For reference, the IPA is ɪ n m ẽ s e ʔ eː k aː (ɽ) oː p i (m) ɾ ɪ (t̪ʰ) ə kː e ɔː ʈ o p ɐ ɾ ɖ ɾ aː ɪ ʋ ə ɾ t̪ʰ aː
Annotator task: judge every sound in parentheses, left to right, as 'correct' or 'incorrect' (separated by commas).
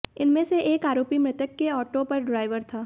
incorrect, correct, incorrect